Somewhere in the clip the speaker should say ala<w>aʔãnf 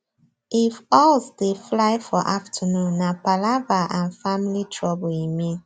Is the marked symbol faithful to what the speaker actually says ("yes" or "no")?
no